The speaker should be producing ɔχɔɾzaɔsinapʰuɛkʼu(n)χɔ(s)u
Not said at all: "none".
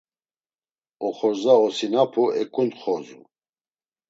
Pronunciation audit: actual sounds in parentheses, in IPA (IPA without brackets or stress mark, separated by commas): n, z